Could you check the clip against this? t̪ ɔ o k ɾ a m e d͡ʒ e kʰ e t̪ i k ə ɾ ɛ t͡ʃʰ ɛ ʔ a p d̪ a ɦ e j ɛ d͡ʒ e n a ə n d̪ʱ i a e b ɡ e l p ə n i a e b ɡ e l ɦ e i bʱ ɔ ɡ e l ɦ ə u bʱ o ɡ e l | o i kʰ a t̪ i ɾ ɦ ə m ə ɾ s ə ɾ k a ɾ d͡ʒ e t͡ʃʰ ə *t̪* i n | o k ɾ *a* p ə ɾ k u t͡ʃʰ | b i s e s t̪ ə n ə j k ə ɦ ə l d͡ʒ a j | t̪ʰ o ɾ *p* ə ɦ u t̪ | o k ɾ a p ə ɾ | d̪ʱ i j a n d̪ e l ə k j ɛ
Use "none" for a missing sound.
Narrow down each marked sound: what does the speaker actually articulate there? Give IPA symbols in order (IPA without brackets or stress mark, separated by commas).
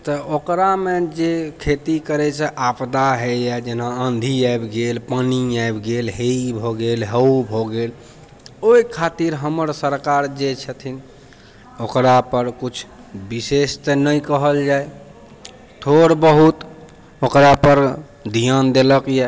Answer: t̪ʰ, a, b